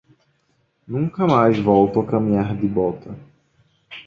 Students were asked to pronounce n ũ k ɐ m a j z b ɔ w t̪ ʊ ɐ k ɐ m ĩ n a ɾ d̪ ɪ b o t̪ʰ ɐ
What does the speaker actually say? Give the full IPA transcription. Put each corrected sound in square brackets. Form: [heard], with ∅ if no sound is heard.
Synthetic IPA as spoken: n ũ k ɐ m a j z [v] ɔ w t̪ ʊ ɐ k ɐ m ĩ [ɲ] a ɾ d̪ ɪ b [ɔ] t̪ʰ ɐ